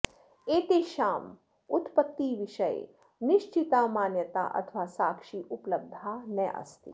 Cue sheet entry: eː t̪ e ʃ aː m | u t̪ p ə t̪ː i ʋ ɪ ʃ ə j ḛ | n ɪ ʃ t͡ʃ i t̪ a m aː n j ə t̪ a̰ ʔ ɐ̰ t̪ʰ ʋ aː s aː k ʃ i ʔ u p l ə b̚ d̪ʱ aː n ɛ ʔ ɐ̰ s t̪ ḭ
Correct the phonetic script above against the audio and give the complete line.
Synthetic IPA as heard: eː t̪ e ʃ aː m | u t̪ p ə t̪ː i ʋ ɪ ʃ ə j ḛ | n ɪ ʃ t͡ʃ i t̪ a m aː n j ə t̪ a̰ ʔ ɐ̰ t̪ʰ ʋ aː s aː k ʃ i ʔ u p l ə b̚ d̪ʱ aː n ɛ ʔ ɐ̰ s t̪ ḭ